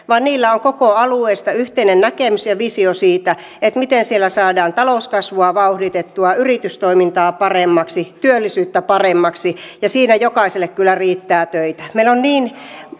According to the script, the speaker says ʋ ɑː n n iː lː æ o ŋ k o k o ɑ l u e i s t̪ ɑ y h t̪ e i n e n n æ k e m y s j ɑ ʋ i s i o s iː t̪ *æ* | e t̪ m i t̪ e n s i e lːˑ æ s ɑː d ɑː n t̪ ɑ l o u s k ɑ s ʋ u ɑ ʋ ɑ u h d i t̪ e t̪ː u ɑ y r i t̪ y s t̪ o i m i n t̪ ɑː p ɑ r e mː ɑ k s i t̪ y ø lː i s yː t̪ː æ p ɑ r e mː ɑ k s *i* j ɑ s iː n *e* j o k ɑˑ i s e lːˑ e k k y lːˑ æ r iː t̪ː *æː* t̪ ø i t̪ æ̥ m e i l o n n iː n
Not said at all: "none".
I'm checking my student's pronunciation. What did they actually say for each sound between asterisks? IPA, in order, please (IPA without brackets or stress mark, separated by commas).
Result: æ, i, æ, æː